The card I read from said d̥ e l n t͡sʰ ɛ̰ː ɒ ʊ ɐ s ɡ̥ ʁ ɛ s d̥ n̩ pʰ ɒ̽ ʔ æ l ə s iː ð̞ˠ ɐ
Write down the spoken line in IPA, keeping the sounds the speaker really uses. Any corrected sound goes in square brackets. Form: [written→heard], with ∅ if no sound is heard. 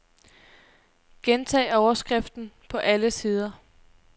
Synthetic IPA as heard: [d̥→ɡ̥] e [l→∅] n t͡sʰ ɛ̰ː ɒ ʊ ɐ s ɡ̥ ʁ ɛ [s→f] d̥ n̩ pʰ ɒ̽ ʔ æ l ə s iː ð̞ˠ ɐ